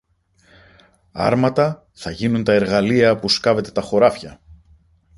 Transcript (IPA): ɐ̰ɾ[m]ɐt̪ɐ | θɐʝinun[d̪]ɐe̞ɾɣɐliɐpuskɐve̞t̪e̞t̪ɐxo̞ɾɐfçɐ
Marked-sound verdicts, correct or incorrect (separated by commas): correct, incorrect